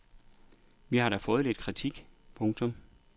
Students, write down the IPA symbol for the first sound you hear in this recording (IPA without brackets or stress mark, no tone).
ʋ